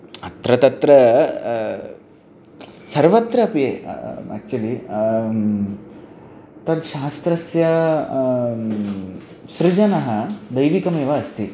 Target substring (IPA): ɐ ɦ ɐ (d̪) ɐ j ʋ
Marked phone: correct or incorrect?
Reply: correct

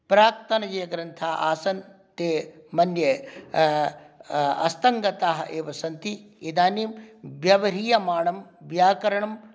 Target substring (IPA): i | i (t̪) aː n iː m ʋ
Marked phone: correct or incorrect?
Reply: incorrect: d̪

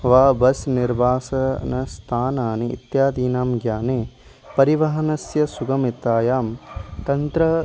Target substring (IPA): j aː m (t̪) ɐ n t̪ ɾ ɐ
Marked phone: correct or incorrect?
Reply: correct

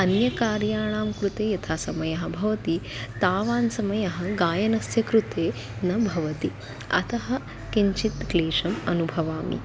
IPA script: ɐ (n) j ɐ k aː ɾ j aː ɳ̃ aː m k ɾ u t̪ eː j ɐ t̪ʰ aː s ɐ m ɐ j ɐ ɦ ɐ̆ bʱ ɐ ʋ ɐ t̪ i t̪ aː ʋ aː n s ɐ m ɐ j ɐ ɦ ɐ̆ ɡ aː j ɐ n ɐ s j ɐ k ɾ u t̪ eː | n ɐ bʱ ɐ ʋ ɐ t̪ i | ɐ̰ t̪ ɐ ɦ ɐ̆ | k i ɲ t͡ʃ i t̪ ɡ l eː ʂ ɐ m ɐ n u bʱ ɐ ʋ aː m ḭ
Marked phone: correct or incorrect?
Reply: correct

